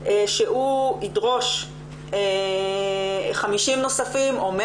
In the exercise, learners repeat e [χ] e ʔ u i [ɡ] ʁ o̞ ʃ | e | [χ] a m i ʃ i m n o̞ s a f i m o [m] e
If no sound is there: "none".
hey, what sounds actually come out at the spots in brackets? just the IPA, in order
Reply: ʃ, d, χ, m

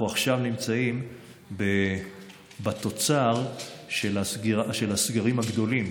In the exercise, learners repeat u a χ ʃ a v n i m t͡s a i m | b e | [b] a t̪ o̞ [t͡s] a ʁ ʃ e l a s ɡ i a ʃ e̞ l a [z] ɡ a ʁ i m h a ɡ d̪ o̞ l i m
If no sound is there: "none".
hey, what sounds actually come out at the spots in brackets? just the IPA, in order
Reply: b, t͡s, s

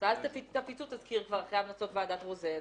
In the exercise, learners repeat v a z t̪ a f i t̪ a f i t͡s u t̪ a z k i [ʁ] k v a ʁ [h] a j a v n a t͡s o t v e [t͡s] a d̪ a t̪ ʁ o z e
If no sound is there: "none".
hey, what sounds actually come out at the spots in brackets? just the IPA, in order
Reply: ʁ, χ, none

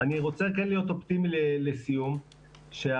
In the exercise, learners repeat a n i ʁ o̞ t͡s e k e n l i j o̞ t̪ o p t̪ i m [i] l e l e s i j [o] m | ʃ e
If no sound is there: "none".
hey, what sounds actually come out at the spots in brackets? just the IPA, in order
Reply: i, u

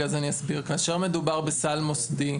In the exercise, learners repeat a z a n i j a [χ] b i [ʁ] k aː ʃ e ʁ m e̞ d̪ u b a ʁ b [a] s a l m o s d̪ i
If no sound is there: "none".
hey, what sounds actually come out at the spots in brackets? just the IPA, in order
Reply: s, ʁ, e

